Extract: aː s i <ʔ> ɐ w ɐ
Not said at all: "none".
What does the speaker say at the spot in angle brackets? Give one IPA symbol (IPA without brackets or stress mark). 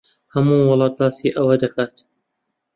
ʔ